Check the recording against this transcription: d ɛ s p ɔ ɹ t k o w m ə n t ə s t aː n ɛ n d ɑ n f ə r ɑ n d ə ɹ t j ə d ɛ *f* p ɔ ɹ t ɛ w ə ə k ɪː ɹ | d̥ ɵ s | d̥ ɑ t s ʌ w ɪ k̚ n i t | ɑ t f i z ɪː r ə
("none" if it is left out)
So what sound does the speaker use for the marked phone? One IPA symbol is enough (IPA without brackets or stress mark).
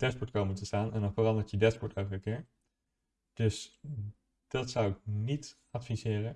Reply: s